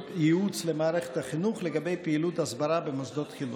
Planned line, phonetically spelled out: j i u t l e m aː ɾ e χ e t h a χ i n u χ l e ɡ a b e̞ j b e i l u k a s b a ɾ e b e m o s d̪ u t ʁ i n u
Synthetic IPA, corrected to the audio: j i u t͡s l e m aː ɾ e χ e t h a χ i n u χ l e ɡ a b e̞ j p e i l u t a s b a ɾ a b e m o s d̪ o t χ i n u